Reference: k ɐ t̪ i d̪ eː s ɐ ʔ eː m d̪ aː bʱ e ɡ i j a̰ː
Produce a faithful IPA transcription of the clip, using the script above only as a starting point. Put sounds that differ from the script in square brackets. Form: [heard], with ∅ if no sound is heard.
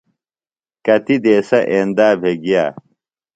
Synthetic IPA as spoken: k ɐ t̪ i d̪ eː s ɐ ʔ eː [n] d̪ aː bʱ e ɡ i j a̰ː